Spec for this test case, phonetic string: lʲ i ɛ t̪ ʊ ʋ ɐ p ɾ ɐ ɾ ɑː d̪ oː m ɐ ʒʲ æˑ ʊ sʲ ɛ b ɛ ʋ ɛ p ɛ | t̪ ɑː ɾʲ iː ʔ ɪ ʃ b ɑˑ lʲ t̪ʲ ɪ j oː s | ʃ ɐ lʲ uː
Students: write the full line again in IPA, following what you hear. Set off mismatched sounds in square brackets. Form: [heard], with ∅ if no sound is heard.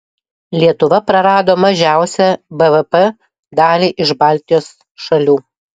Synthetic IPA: lʲ i ɛ t̪ ʊ ʋ ɐ p ɾ ɐ ɾ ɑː d̪ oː m ɐ ʒʲ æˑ ʊ sʲ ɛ b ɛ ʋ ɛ p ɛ | [d̪] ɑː [lʲ] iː ʔ ɪ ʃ b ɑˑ lʲ t̪ʲ ɪ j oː s | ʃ ɐ lʲ uː